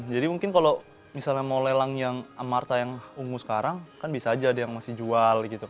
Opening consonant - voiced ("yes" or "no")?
yes